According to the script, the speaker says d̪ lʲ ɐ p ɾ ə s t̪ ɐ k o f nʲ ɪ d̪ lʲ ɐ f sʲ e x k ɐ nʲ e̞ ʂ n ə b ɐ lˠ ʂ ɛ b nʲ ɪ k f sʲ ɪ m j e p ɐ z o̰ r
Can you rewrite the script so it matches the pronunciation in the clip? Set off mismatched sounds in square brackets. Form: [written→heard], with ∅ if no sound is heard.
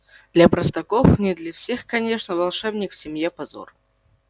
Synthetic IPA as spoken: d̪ lʲ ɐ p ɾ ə s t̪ ɐ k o f nʲ ɪ d̪ lʲ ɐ f sʲ e x k ɐ nʲ e̞ ʂ n ə [b→v] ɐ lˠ ʂ ɛ b nʲ ɪ k f sʲ ɪ m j e p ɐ z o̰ r